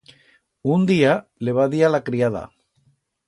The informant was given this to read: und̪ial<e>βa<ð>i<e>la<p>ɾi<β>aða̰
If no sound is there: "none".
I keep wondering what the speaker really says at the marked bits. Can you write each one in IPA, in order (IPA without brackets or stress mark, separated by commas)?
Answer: e, ð, a, k, none